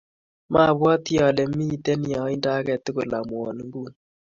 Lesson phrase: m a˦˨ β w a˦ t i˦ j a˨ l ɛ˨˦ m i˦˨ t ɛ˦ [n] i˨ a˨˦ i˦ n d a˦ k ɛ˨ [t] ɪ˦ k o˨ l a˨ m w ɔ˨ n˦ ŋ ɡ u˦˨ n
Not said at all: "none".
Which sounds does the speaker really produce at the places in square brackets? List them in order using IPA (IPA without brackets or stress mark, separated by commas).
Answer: n, t